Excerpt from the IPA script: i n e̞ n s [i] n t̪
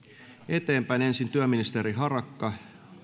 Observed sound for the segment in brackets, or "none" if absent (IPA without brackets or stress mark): i